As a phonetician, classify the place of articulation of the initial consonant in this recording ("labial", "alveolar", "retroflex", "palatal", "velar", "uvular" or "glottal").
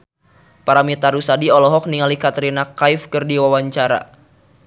labial